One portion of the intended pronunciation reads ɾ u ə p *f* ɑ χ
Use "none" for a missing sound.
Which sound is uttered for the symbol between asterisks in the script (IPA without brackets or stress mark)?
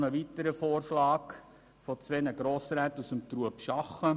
ʃ